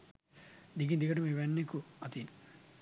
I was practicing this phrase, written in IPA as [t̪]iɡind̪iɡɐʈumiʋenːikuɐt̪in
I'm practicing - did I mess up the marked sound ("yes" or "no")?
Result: yes